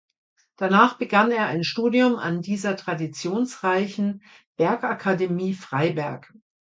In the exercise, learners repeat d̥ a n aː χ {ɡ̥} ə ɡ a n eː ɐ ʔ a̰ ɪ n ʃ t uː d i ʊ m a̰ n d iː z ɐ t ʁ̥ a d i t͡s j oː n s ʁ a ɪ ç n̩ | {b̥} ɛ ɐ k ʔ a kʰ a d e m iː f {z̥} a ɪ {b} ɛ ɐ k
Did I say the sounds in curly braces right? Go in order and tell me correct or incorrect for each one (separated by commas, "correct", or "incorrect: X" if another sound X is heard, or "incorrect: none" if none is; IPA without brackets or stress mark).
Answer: incorrect: b̥, correct, incorrect: ʁ̥, correct